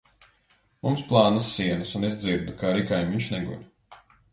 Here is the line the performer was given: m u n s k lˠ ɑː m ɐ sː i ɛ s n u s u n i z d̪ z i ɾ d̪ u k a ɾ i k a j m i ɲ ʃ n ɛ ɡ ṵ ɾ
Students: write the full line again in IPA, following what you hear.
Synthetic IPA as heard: m u m s p lˠ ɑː n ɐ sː i ɛ n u s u n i z d̪ z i ɾ d̪ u k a ɾ i k a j m i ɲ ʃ n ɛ ɡ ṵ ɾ